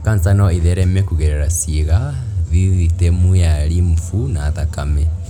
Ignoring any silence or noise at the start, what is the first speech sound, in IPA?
k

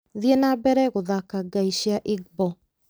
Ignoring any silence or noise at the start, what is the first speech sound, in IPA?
ð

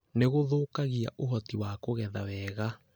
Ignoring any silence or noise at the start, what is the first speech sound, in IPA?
n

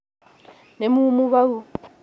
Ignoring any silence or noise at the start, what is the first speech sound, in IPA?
n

